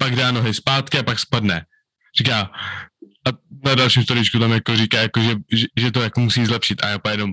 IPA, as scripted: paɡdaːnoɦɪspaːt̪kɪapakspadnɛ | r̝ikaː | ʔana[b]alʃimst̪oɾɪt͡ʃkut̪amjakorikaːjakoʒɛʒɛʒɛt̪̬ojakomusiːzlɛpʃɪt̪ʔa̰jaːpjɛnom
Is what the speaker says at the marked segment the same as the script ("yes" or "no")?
no